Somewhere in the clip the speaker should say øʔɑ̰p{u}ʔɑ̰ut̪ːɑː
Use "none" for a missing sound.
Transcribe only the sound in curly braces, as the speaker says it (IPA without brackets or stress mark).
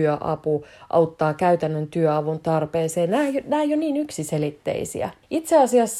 u